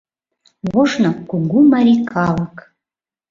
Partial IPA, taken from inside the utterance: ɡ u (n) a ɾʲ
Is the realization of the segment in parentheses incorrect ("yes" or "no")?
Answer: yes